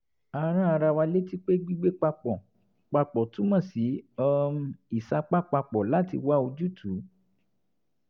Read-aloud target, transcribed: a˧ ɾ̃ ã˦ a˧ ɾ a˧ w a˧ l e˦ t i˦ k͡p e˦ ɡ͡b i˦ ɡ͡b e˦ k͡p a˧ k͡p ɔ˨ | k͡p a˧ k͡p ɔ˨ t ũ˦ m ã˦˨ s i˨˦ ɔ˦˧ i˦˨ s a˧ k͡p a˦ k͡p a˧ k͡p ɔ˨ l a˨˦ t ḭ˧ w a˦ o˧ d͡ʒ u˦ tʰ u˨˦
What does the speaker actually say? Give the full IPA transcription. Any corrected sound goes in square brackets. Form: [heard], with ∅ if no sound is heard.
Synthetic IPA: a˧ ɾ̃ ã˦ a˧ ɾ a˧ w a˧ l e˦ t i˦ k͡p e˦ ɡ͡b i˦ ɡ͡b e˦ k͡p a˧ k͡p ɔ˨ | k͡p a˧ k͡p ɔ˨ t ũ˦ m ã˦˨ s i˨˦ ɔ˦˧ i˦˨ s a˧ k͡p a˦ k͡p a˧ k͡p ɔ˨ l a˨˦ t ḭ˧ w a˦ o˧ d͡ʒ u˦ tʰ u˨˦